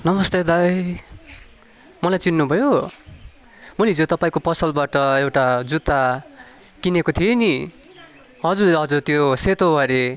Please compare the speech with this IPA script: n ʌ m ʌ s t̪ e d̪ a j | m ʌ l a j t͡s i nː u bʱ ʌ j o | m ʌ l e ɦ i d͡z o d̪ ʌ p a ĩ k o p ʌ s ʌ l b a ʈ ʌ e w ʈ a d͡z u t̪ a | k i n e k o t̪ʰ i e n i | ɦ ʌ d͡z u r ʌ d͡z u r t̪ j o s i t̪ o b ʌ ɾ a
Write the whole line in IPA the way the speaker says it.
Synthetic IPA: n ʌ m ʌ s t̪ e d̪ a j | m ʌ l a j t͡s i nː u bʱ ʌ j o | m ʌ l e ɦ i d͡z o t̪ ʌ p a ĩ k o p ʌ s ʌ l b a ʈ ʌ e w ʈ a d͡z u t̪ a | k i n e k o t̪ʰ i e n i | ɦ ʌ d͡z u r ʌ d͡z u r t̪ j o s e t̪ o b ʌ ɾ e